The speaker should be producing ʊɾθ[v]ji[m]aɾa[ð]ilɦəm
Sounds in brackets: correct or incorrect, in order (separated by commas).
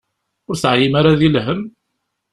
incorrect, correct, correct